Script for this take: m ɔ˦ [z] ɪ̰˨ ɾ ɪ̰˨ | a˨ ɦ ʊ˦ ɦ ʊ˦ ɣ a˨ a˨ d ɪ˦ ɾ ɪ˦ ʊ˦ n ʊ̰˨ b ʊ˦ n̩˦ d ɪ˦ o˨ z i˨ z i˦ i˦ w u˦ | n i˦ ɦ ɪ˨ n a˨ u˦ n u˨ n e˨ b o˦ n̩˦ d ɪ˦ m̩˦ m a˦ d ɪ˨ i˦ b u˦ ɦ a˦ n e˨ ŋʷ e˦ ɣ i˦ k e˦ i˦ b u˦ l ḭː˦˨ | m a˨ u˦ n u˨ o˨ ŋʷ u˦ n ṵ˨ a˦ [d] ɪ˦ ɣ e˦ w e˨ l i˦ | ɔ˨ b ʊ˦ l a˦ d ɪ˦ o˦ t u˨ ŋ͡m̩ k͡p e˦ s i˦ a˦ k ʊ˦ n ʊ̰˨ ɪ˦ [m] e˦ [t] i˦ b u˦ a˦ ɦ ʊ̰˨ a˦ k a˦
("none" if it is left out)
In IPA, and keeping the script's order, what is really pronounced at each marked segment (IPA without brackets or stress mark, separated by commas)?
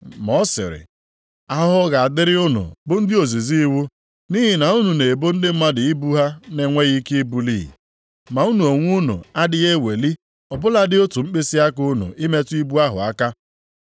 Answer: s, d, m, t